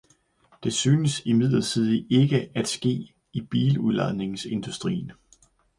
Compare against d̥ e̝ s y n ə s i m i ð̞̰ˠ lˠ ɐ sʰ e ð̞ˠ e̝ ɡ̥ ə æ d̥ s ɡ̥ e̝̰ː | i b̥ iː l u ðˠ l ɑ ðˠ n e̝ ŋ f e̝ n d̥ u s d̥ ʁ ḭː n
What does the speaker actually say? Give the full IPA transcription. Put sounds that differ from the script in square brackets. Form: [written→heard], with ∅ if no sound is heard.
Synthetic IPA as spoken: d̥ e̝ s [y→yː] n ə s i m i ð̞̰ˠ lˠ ɐ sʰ [e→i] ð̞ˠ e̝ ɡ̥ ə æ d̥ s ɡ̥ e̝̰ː | i b̥ iː l u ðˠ l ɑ ðˠ n e̝ ŋ [f→s] e̝ n d̥ u s d̥ ʁ ḭː n